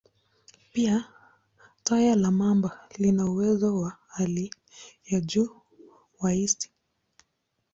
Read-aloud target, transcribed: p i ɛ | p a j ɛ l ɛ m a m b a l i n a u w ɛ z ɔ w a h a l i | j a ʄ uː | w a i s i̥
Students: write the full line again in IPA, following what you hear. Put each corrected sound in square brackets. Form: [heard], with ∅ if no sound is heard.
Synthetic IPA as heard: p i [a] | [t] a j [a] l [a] m a m b a l i n a u w ɛ z ɔ w a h a l i | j a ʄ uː | w a i s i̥